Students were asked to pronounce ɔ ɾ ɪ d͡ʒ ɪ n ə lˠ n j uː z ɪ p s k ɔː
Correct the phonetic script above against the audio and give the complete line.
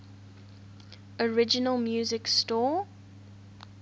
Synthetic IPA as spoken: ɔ ɹ ɪ d͡ʒ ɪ n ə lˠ m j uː z ɪ k s t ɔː

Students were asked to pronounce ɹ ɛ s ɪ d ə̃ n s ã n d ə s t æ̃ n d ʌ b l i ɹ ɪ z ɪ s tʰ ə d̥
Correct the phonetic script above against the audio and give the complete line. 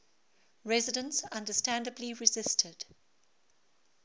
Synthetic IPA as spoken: ɹ ɛ z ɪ d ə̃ n s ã n d ə s t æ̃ n d ə b l i ɹ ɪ z ɪ s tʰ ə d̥

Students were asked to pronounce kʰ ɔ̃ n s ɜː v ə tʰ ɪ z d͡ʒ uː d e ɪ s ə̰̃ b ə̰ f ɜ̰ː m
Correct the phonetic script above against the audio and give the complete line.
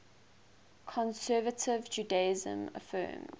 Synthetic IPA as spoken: kʰ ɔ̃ n s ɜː v ə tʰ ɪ v d͡ʒ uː d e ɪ z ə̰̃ m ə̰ f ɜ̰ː m

